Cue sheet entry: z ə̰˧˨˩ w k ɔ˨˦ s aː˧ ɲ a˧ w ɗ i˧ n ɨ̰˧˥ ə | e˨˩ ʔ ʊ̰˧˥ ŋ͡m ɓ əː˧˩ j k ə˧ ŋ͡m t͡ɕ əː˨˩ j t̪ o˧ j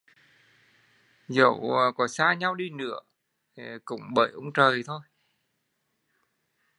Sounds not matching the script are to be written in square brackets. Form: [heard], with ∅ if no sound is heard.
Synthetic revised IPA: z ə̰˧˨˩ w k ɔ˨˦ s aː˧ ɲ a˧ w ɗ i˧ n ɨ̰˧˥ ə | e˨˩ [k] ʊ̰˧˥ ŋ͡m ɓ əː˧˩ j [ʔ] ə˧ ŋ͡m t͡ɕ əː˨˩ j [t̪ʰ] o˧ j